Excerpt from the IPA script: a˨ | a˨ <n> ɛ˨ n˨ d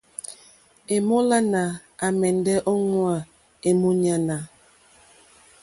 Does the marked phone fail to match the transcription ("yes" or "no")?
yes